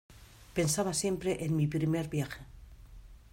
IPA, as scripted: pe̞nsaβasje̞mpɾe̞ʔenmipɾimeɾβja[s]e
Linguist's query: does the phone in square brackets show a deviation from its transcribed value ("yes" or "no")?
yes